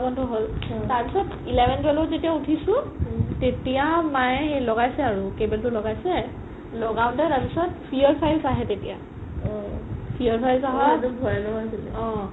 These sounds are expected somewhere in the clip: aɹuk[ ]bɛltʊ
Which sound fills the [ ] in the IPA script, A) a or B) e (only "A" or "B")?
B